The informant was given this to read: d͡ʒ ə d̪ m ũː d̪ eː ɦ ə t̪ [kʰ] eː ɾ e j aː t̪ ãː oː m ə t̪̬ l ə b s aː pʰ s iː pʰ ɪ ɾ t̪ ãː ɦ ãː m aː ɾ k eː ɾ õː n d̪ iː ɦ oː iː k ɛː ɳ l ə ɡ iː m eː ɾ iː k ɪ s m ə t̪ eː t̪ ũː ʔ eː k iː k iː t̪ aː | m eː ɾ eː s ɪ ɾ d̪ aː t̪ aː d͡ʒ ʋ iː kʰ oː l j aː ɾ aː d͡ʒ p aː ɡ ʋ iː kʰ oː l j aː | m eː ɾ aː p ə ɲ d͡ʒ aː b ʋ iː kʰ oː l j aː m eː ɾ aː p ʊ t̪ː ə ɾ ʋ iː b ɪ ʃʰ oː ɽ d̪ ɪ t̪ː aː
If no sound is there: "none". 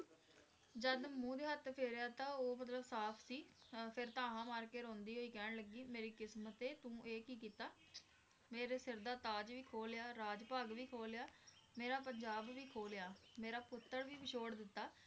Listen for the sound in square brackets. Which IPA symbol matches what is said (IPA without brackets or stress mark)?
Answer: pʰ